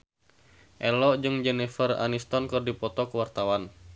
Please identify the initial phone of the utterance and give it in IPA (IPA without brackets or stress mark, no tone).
ʔ